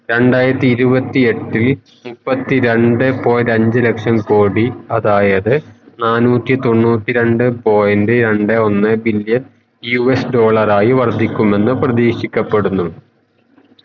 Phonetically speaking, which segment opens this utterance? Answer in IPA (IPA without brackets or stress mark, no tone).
ɾ